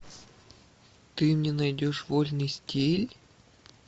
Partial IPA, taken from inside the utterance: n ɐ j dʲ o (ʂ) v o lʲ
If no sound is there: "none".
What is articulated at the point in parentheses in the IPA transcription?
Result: ʂ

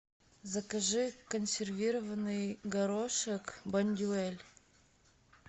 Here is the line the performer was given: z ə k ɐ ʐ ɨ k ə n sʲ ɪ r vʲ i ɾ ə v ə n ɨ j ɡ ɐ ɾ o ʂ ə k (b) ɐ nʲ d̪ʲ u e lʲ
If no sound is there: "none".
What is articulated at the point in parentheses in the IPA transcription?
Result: b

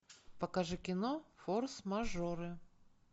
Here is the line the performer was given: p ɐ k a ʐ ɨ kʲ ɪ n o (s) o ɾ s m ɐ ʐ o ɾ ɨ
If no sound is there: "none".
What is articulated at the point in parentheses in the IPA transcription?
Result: f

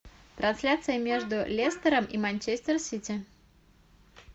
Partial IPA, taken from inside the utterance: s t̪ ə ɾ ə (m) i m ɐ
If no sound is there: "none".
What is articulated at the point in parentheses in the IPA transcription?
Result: m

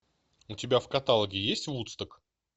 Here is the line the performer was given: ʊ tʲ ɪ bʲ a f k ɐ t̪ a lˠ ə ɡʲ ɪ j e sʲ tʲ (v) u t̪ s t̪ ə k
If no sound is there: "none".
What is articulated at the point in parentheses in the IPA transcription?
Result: v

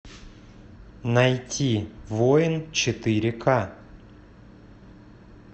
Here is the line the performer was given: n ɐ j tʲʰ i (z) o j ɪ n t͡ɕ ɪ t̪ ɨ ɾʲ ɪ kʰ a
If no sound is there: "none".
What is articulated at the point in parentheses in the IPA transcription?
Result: v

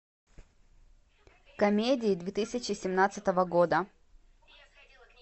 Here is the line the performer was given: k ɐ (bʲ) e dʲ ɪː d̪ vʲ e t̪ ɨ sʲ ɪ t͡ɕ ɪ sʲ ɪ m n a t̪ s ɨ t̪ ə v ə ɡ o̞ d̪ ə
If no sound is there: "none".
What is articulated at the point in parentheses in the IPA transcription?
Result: mʲ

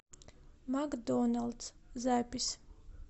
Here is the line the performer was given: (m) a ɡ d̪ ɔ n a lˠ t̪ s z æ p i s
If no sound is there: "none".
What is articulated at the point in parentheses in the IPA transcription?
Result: m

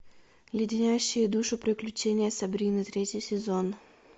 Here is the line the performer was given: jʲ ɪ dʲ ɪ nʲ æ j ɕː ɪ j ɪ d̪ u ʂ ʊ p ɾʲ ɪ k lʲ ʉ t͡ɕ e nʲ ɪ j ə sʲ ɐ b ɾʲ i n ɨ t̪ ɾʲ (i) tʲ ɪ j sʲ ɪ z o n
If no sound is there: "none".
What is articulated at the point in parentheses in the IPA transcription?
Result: e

